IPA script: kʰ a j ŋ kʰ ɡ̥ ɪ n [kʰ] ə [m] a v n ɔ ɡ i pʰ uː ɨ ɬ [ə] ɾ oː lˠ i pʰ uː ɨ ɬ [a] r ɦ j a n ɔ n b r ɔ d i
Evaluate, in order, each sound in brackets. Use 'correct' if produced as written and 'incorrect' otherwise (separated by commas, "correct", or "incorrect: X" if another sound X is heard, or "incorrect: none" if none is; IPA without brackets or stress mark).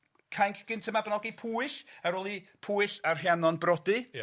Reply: incorrect: tʰ, correct, incorrect: a, correct